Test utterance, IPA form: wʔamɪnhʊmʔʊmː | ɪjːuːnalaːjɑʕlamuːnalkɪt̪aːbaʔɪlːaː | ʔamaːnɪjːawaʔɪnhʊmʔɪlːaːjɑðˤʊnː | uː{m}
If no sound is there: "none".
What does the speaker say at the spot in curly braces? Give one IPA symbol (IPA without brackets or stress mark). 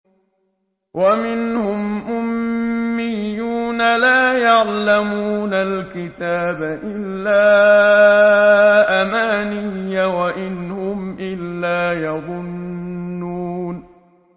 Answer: n